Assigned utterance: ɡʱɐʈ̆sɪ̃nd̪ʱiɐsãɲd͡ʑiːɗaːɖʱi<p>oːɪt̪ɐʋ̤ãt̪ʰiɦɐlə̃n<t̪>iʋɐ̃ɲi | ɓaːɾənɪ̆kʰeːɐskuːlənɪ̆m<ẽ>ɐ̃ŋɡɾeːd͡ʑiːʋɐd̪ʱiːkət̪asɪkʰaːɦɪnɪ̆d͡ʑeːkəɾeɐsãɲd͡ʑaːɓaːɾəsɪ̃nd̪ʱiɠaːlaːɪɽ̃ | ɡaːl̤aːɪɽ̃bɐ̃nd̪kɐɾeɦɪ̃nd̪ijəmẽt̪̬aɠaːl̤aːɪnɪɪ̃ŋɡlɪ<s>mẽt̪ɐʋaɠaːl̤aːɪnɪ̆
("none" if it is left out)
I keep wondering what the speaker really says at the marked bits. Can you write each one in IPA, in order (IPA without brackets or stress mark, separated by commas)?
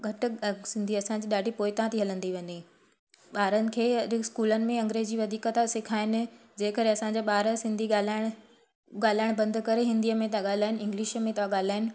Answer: p, d̪, ẽ, ʃ